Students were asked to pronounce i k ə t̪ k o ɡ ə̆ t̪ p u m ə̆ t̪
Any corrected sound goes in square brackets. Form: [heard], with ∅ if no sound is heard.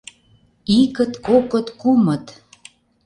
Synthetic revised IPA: i k ə t̪ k o [k] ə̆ t̪ [k] u m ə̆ t̪